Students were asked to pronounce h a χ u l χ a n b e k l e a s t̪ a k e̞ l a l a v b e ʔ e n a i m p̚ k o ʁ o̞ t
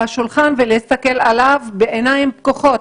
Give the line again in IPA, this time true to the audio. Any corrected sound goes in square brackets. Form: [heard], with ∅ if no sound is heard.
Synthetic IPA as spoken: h a [ʃ] u l χ a n [v] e [∅] l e [i] s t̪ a k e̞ l a l a v b e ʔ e n a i m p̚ k o [χ] o̞ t